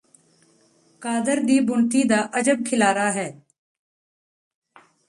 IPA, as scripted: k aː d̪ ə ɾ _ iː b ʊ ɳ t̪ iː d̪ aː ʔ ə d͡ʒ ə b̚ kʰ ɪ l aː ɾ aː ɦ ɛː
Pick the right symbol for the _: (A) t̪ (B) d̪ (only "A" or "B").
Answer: B